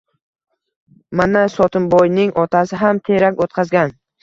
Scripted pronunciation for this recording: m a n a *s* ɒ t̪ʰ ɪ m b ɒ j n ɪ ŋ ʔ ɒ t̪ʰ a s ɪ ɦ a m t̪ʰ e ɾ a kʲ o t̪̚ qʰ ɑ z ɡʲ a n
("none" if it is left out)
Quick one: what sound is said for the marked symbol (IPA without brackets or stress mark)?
s